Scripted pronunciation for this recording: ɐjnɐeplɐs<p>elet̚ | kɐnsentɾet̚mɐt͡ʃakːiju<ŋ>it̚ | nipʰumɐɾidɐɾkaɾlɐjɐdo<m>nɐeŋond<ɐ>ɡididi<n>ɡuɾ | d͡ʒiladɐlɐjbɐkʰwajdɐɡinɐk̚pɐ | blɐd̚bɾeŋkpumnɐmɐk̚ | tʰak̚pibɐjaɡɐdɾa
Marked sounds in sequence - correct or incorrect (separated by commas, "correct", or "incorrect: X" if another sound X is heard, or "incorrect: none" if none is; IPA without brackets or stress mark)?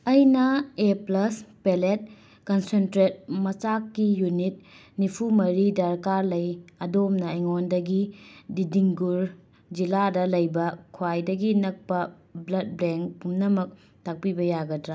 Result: correct, incorrect: n, correct, correct, incorrect: ŋ